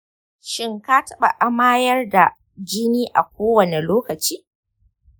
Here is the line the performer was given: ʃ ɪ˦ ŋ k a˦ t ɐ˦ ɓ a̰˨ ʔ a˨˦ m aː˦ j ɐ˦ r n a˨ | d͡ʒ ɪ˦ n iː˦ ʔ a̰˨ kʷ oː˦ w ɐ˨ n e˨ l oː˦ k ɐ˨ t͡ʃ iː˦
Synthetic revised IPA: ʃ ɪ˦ ŋ k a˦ t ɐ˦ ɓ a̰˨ ʔ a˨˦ m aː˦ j ɐ˦ r d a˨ | d͡ʒ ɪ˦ n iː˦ ʔ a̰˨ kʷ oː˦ w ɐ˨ n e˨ l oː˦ k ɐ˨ t͡ʃ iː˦